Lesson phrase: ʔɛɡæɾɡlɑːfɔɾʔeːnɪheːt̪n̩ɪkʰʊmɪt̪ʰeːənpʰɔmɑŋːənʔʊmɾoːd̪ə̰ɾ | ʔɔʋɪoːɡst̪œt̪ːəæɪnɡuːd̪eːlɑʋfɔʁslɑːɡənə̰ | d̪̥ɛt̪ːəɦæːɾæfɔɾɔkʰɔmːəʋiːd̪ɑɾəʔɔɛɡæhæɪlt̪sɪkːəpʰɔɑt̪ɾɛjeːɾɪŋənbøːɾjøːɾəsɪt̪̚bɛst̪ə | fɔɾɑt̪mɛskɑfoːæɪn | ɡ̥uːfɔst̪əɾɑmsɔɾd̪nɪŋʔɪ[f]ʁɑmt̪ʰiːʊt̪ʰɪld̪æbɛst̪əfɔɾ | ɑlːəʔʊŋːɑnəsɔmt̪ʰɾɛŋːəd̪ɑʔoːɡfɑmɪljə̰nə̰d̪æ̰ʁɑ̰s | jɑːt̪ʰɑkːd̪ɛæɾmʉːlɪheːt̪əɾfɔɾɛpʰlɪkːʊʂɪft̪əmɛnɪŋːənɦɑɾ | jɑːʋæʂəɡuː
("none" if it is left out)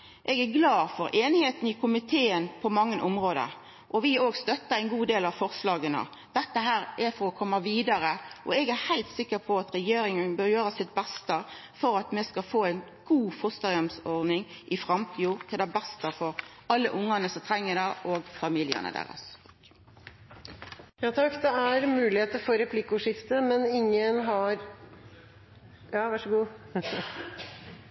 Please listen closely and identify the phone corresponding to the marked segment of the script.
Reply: f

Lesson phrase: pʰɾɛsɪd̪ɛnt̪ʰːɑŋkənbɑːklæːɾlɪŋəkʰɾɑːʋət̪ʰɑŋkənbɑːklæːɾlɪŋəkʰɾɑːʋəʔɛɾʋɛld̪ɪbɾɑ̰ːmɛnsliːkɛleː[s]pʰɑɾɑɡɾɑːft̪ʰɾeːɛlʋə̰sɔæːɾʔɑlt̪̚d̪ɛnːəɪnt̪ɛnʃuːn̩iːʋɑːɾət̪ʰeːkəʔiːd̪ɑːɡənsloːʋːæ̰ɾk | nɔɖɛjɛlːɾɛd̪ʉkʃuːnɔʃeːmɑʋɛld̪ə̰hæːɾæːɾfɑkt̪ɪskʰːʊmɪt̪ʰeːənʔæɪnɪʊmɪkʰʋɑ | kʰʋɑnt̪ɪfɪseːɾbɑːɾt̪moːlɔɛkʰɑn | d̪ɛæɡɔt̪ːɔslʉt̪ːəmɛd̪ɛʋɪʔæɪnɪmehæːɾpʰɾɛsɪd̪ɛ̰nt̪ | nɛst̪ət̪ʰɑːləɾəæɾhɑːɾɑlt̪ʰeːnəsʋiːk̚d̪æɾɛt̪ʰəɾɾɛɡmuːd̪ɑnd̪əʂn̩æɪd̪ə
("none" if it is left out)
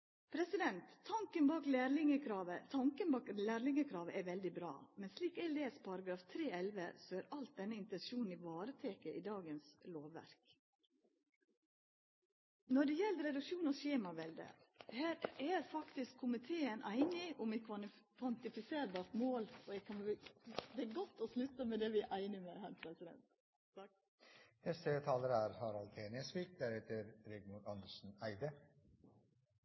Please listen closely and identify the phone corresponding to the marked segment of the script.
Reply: s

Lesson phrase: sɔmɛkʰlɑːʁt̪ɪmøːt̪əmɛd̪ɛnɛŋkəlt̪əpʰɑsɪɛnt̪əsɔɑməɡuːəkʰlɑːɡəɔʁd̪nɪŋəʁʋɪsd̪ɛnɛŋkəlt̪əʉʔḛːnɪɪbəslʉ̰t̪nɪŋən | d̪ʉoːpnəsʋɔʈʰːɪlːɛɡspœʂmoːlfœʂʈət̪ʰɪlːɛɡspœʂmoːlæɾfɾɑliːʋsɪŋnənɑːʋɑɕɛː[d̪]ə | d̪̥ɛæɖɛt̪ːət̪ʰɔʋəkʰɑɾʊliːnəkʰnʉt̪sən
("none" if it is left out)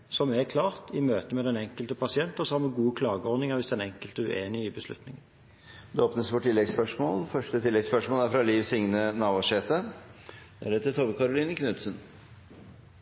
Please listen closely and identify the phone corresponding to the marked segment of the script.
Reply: t̪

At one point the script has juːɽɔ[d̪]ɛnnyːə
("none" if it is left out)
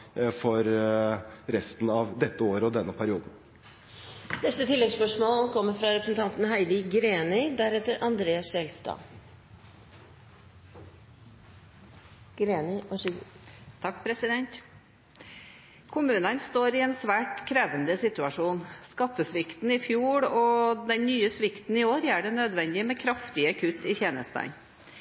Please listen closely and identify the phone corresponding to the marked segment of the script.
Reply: d̪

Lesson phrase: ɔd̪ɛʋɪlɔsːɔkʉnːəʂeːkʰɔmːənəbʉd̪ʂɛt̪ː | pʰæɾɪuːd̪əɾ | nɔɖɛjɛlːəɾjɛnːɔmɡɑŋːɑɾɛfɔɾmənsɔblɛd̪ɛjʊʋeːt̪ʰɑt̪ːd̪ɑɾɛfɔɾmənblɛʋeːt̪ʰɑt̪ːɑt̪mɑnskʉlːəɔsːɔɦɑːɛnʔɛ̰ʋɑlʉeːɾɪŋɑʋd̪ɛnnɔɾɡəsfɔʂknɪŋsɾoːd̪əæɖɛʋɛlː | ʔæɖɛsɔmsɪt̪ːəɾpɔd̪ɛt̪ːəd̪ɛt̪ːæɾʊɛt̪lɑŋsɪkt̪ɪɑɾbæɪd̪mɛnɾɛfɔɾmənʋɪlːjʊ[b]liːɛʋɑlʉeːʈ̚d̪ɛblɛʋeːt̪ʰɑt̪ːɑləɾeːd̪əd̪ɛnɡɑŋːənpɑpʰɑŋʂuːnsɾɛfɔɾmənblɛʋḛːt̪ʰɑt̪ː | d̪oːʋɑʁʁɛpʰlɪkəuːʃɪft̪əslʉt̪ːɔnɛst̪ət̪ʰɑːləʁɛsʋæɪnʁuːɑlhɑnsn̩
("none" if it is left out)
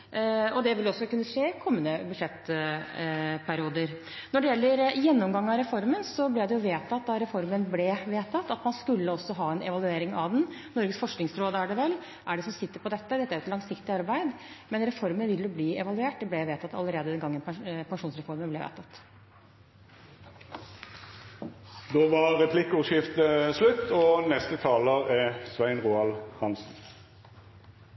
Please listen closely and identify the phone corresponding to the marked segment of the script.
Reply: b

